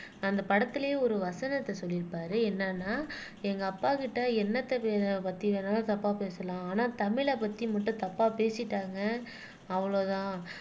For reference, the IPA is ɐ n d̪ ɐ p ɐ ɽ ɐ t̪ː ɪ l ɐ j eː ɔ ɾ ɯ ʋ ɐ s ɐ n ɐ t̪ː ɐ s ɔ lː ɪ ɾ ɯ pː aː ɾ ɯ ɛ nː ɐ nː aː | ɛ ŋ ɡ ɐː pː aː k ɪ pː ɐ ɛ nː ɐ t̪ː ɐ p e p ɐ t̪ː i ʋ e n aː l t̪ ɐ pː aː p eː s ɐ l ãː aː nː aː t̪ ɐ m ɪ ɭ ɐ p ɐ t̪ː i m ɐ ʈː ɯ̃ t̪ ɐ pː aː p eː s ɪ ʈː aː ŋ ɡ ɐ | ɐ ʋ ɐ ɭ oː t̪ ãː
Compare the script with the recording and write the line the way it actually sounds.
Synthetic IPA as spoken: ɐ n d̪ ɐ p ɐ ɽ ɐ t̪ː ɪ l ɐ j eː ɔ ɾ ɯ ʋ ɐ s ɐ n ɐ t̪ː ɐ s ɔ lː ɪ ɾ ɯ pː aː ɾ ɯ ɛ nː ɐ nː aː | ɛ ŋ ɡ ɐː pː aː k ɪ ʈː ɐ ɛ nː ɐ t̪ː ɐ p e p ɐ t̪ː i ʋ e n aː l t̪ ɐ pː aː p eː s ɐ l ãː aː n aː t̪ ɐ m ɪ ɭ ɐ p ɐ t̪ː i m ɐ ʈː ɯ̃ t̪ ɐ pː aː p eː s ɪ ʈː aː ŋ ɡ ɐ | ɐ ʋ ɐ ɭ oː t̪ ãː